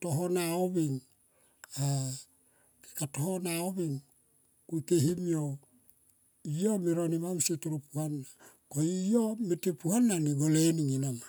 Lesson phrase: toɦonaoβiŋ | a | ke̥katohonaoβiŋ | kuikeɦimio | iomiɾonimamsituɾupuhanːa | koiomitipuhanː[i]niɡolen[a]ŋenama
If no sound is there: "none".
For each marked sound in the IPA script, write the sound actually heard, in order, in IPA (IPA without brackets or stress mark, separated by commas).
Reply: a, i